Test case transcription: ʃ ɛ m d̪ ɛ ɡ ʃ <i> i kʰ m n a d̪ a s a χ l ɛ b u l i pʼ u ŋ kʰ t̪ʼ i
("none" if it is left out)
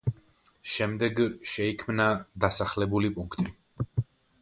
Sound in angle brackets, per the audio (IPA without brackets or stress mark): ɛ